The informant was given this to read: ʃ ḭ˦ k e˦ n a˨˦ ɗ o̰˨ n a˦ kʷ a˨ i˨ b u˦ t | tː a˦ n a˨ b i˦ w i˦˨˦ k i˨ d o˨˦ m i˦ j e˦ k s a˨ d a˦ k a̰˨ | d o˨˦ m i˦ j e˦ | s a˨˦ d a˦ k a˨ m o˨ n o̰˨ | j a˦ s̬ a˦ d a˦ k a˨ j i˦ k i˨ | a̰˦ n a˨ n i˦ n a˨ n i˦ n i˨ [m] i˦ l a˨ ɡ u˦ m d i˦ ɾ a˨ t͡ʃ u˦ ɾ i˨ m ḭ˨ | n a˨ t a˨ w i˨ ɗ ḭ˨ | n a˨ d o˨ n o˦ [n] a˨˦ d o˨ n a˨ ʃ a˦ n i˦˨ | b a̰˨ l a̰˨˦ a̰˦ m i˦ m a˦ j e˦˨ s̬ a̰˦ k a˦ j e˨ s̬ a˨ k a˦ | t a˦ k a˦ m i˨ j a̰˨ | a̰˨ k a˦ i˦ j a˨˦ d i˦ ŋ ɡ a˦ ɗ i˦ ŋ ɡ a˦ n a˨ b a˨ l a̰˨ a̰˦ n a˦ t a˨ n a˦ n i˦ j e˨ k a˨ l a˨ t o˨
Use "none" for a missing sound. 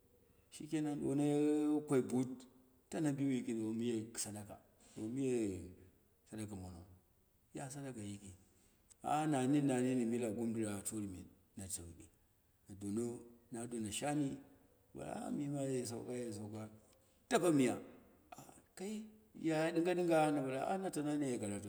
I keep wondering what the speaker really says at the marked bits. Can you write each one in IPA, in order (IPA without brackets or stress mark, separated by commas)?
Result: m, n